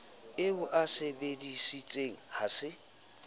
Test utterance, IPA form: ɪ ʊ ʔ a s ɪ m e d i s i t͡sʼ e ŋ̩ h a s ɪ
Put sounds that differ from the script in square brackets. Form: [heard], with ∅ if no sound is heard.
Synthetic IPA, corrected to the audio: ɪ ʊ ʔ a s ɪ [b] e d i s i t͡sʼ e ŋ̩ h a s ɪ